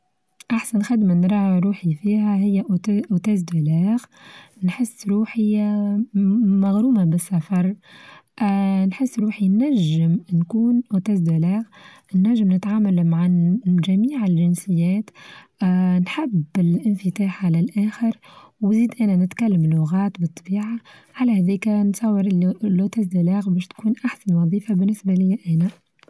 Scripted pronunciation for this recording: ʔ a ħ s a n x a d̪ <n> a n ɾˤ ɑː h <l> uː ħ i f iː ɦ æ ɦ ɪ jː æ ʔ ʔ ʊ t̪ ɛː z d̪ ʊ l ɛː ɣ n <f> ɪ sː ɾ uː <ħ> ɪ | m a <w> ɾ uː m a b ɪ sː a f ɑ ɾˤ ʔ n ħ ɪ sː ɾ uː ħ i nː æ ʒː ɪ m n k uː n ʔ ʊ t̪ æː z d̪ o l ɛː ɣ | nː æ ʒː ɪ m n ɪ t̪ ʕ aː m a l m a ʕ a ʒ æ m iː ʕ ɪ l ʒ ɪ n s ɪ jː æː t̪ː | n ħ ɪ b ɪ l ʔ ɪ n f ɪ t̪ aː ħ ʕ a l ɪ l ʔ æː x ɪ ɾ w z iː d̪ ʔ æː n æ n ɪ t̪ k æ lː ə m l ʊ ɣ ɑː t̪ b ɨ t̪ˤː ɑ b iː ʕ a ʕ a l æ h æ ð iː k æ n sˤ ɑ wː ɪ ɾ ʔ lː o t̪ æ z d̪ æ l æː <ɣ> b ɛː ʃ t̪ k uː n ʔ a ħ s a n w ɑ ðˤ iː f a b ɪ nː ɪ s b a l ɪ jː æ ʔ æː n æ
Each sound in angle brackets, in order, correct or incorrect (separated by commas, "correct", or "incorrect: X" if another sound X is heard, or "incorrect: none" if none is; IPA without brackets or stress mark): incorrect: m, incorrect: ɾ, incorrect: ħ, correct, incorrect: ɣ, correct